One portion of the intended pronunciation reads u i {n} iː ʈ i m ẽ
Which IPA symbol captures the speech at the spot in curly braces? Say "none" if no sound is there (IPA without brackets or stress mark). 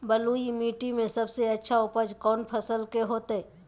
m